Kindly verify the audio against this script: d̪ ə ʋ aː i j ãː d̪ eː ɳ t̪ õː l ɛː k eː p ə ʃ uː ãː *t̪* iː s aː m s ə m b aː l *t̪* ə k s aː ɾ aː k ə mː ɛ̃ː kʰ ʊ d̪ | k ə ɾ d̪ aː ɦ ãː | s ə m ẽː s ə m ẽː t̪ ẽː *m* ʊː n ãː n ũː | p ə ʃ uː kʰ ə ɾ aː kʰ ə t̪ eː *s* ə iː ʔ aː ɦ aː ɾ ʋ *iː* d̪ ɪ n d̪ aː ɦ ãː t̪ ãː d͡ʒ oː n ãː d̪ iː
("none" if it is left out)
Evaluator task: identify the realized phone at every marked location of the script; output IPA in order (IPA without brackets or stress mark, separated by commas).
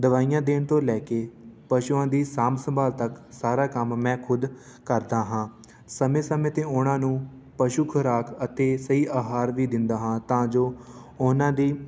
d̪, t̪, none, s, iː